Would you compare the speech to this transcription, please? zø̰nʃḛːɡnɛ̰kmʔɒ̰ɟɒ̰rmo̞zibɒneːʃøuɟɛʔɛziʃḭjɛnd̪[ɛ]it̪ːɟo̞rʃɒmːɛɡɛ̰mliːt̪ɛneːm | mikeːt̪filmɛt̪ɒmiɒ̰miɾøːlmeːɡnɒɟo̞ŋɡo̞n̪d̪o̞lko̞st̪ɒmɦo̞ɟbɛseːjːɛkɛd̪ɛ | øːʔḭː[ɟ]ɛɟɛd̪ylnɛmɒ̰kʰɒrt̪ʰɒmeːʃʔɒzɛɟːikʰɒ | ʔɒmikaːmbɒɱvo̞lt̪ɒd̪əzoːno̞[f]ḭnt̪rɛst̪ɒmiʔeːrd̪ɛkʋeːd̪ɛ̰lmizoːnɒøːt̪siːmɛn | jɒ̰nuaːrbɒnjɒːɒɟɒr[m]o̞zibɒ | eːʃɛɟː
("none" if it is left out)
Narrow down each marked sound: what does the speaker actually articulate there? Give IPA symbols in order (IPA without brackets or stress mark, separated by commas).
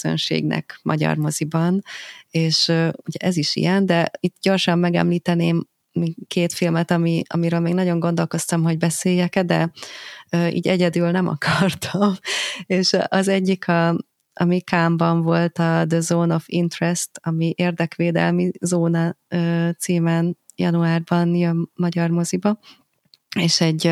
ɛ, ɟ, f, m